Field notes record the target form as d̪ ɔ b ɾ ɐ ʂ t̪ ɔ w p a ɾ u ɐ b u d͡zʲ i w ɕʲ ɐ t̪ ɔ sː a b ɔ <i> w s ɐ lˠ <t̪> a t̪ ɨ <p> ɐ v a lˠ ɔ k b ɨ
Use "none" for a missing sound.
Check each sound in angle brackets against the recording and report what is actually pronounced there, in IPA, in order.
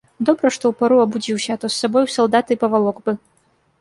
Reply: j, d̪, p

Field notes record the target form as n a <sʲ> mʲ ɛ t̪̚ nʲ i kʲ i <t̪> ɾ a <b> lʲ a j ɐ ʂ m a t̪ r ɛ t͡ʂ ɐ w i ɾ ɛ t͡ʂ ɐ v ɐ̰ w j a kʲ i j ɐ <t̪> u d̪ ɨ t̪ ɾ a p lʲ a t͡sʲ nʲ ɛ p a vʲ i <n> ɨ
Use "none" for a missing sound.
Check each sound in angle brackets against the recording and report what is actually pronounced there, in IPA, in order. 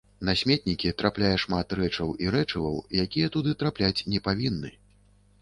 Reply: sʲ, t̪, p, t̪, nː

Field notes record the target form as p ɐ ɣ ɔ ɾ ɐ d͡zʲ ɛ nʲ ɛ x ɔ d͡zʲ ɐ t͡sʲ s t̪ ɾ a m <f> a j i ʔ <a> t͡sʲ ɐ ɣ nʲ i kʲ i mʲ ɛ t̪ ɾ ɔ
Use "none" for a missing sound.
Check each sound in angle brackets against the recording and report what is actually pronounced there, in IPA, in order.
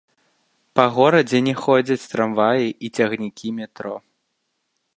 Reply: v, i

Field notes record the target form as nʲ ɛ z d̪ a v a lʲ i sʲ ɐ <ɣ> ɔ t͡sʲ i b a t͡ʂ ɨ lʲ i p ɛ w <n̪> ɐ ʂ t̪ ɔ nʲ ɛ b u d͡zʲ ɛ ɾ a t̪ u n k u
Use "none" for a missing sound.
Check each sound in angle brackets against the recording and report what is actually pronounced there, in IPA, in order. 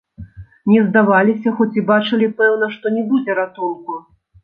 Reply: x, n̪

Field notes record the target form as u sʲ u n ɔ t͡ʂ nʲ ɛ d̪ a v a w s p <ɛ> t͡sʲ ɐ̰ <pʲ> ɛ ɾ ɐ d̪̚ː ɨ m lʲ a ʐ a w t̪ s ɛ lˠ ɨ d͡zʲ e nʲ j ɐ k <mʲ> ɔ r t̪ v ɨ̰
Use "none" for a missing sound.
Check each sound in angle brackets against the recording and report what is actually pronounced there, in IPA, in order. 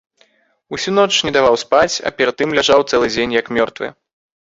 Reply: a, pʲ, mʲ

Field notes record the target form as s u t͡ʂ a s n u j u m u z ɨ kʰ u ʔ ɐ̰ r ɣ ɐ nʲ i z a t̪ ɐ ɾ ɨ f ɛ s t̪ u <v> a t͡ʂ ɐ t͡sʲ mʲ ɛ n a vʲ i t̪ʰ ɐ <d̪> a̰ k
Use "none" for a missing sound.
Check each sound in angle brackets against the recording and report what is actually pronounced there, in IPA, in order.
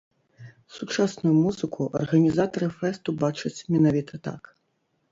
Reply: b, t̪

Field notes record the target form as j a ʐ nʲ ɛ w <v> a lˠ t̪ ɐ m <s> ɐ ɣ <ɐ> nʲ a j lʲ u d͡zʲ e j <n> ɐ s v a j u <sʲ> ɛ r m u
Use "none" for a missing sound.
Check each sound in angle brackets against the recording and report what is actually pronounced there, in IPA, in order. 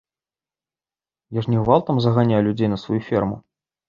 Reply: v, z, a, n, fʲ

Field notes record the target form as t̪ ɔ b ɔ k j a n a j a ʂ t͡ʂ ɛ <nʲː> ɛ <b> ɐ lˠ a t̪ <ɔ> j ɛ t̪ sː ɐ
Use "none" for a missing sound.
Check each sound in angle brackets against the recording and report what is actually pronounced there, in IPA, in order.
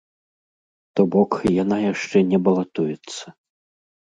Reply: nʲ, b, u

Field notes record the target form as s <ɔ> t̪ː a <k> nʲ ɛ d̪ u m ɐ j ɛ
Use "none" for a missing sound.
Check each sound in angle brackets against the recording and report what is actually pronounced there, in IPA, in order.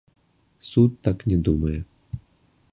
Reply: u, k

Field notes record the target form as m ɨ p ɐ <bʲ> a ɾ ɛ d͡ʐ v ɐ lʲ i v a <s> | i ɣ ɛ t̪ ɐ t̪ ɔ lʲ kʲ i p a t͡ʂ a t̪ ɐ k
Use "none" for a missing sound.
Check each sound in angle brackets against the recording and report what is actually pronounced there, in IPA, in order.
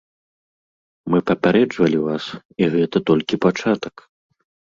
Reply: pʲ, s

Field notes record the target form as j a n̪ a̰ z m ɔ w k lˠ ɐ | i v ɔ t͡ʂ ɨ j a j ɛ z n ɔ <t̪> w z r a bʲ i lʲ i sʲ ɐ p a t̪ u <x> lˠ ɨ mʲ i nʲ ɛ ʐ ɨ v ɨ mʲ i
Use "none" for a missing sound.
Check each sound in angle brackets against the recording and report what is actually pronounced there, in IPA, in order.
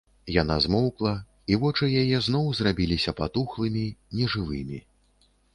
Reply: none, x

